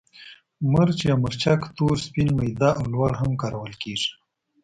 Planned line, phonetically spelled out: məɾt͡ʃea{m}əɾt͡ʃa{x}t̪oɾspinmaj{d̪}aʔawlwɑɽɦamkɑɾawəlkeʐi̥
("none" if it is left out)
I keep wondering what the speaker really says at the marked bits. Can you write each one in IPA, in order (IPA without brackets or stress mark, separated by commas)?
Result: m, k, d̪